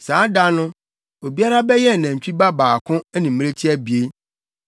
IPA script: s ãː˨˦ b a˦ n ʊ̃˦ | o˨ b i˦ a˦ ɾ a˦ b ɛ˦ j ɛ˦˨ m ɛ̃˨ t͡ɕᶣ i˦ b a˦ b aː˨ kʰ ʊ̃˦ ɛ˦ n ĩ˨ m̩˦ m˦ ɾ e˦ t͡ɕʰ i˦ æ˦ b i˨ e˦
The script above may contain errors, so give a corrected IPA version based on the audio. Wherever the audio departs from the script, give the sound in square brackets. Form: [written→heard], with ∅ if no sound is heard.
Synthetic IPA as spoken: s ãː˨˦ [b→d] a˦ n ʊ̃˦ | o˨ b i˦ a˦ ɾ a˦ b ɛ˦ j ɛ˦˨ [m→n] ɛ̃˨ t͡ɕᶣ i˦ b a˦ b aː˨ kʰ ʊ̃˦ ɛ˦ n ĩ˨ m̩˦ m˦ ɾ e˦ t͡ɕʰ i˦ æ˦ b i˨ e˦